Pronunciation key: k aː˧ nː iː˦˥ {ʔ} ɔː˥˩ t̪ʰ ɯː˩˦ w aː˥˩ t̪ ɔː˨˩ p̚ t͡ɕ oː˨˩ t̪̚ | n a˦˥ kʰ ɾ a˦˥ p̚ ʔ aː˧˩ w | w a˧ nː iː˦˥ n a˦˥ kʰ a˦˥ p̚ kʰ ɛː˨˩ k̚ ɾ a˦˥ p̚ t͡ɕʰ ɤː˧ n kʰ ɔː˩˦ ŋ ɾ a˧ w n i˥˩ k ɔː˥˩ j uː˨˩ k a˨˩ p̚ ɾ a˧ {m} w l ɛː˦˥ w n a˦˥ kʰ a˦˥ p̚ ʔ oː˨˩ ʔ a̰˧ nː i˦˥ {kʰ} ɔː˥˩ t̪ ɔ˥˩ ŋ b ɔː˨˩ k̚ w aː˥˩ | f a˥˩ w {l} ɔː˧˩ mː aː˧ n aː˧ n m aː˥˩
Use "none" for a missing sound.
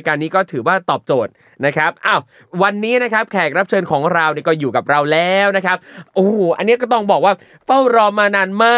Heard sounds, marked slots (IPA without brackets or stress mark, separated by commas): k, none, k, ɾ